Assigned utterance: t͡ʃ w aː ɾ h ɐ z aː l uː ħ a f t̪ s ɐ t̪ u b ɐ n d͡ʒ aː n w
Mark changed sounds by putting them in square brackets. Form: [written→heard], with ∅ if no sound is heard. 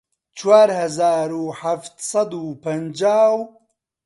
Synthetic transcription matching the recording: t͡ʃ w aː ɾ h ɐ z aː [l→ɾ] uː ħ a f t̪ s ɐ [t̪→d̪] u [b→p] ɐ n d͡ʒ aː [n→∅] w

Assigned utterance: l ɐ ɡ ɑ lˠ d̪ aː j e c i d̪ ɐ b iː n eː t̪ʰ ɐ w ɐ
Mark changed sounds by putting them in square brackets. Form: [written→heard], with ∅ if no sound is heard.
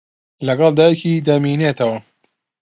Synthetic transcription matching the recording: l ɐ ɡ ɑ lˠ d̪ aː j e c i d̪ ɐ [b→m] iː n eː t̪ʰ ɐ w ɐ

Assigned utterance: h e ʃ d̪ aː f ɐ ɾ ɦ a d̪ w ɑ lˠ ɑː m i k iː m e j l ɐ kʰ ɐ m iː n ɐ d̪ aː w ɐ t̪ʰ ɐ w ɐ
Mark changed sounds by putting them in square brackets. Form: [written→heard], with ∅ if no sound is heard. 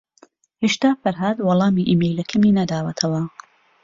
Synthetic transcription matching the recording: h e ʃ [d̪→t̪] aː f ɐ ɾ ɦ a d̪ w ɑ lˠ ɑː m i [k→ʔ] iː m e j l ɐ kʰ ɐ m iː n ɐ d̪ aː w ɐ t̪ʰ ɐ w ɐ

